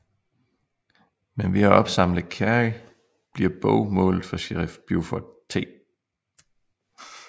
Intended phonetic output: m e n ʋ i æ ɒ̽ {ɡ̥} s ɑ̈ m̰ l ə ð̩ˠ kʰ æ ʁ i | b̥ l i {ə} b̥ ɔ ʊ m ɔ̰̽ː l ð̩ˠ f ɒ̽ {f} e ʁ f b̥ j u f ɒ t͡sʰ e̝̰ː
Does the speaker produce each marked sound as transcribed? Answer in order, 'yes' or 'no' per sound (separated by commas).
no, no, no